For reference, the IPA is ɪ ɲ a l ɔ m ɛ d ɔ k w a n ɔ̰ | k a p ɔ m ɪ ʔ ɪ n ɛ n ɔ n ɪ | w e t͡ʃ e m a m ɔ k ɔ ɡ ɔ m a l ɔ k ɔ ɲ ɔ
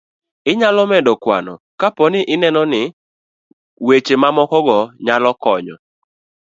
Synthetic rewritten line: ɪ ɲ a l ɔ m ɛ d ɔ k w a n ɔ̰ | k a p ɔ n ɪ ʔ ɪ n ɛ n ɔ n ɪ | w e t͡ʃ e m a m ɔ k ɔ ɡ ɔ ɲ a l ɔ k ɔ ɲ ɔ